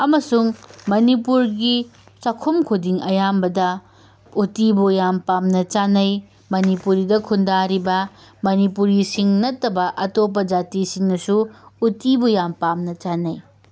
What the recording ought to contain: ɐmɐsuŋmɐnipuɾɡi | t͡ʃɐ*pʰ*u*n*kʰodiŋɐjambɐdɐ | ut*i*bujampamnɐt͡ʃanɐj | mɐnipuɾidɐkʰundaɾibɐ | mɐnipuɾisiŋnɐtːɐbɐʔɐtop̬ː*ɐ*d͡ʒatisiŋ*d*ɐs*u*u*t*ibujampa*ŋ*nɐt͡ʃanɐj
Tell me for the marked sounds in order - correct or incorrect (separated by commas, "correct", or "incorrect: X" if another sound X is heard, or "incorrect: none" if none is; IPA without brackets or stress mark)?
incorrect: kʰ, incorrect: m, correct, correct, incorrect: n, correct, correct, incorrect: m